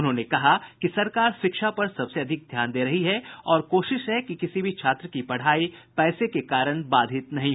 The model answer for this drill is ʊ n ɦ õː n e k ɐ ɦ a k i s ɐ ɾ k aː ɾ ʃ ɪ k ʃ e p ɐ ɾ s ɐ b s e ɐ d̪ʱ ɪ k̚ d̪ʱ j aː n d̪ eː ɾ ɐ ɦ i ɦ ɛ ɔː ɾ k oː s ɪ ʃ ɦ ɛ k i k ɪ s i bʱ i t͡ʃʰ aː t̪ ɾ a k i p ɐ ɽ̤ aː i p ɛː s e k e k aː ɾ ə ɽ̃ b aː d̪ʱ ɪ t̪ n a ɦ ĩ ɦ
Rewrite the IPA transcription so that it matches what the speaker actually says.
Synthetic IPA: ʊ n ɦ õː n e k ɐ ɦ a k i s ɐ ɾ k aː ɾ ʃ ɪ k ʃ a p ɐ ɾ s ɐ b s e ɐ d̪ʱ ɪ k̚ d̪ʱ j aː n d̪ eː ɾ ɐ ɦ i ɦ ɛ ɔː ɾ k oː ʃ ɪ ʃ ɦ ɛ k i k ɪ s i bʱ i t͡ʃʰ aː t̪ ɾ ə k i p ɐ ɽ̤ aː i p ɛː s e k e k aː ɾ ə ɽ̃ b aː d̪ʱ ɪ t̪ n ɐ ɦ ĩ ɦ